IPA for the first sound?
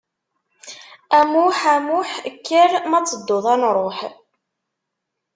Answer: æ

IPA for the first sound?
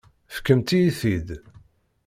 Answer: f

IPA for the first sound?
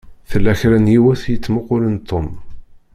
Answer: θ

